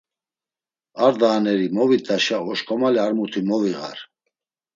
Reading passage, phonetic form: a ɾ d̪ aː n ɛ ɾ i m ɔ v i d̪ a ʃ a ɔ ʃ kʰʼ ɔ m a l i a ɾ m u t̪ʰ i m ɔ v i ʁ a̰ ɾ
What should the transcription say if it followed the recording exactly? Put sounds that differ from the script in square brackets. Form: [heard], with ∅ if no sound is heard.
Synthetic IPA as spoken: a ɾ d̪ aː n ɛ ɾ i m ɔ v i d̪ a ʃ a ɔ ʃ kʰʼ ɔ m a l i a ɾ m u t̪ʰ i m ɔ v i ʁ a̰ ɾ